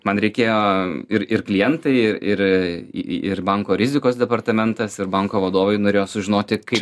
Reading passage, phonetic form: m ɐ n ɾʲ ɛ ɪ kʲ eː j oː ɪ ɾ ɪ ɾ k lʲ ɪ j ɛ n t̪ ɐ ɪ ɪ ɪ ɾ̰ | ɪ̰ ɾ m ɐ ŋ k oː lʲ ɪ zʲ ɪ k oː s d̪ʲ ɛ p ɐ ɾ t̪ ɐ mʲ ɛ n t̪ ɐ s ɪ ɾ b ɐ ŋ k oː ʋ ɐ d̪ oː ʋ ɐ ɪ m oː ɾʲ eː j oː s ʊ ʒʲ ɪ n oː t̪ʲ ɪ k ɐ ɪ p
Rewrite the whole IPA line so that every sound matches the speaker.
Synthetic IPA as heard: m ɐ n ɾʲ ɛ ɪ kʲ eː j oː ɪ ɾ ɪ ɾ k lʲ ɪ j ɛ n t̪ ɐ ɪ ɪ ɪ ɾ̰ | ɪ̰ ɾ b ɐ ŋ k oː ɾʲ ɪ zʲ ɪ k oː s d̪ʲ ɛ p ɐ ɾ t̪ ɐ mʲ ɛ n t̪ ɐ s ɪ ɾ b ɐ ŋ k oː ʋ ɐ d̪ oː ʋ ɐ ɪ n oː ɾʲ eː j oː s ʊ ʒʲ ɪ n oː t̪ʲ ɪ k ɐ ɪ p